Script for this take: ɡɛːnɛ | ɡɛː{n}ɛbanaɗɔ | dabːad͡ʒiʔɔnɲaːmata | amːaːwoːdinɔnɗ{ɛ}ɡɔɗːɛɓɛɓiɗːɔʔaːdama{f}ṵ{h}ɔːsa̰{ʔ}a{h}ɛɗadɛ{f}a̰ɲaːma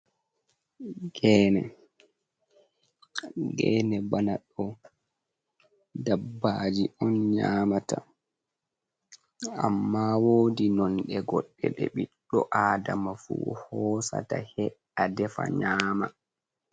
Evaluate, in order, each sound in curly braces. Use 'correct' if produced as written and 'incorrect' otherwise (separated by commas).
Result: correct, correct, correct, correct, incorrect, correct, correct